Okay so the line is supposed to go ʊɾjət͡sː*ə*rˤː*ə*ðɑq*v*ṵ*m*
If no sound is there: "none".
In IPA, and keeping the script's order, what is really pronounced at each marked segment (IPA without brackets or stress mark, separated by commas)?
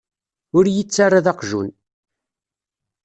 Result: a, a, ʒ, n